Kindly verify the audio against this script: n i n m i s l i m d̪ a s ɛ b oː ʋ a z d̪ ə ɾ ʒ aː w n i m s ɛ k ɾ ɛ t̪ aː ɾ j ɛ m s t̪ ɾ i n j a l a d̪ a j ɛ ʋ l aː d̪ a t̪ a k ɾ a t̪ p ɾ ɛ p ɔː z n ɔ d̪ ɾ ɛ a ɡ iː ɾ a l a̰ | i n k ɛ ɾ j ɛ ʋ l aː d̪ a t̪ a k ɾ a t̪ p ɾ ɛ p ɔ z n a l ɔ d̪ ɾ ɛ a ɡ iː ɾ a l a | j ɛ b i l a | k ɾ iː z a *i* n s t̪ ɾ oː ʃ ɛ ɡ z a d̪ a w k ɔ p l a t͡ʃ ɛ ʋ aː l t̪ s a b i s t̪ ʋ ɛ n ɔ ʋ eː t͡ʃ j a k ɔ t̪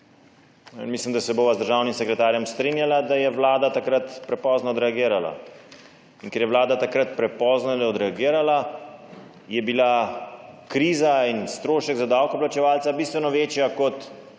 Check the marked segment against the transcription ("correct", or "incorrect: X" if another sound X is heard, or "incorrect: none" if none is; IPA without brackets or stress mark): correct